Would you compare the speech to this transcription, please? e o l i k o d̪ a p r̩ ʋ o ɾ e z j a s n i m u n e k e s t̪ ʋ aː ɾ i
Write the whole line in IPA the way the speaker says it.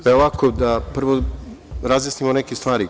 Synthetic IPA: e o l a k o d̪ a p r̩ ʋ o ɾ a z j a s n i m o n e k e s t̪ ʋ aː ɾ i